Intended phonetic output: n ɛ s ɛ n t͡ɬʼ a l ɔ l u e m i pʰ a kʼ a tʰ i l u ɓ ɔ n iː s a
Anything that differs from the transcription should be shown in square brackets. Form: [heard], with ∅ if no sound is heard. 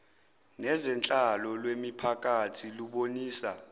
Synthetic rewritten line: n ɛ [z] ɛ n t͡ɬʼ a l ɔ l [w] e m i pʰ a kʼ a tʰ i l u ɓ [o] n iː s a